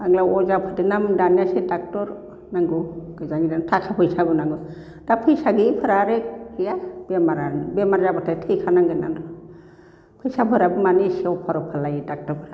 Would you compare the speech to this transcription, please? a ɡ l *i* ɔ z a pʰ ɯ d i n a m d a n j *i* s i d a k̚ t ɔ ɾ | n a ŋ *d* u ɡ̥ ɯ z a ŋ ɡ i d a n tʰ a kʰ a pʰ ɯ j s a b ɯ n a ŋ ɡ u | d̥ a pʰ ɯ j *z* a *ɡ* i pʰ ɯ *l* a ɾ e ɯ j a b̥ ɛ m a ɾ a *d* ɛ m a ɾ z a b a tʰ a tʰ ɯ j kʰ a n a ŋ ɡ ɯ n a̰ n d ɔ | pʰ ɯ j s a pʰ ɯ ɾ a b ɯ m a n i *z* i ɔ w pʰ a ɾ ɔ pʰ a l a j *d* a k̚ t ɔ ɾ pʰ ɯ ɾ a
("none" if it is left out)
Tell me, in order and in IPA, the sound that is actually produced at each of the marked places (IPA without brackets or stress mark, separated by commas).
a, a, ɡ, s, ɡ, ɾ, b, s, d